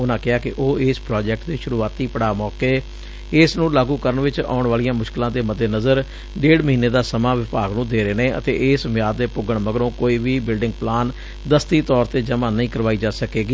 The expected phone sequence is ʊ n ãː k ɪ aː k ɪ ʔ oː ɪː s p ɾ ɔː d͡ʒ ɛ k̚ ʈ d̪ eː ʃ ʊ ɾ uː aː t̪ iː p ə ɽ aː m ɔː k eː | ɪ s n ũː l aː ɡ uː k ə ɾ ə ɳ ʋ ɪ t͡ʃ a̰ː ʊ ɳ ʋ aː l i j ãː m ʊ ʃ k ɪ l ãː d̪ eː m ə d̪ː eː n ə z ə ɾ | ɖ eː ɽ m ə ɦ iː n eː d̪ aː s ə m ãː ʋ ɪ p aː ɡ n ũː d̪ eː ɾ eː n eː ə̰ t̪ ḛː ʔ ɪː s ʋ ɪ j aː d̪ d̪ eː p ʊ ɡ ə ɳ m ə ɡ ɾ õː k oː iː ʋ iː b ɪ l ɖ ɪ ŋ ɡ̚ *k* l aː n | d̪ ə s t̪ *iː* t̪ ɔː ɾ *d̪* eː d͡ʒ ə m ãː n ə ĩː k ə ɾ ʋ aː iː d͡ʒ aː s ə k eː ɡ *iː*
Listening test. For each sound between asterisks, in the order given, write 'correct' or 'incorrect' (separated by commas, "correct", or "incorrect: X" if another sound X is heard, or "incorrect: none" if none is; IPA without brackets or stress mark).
incorrect: p, correct, incorrect: t̪, correct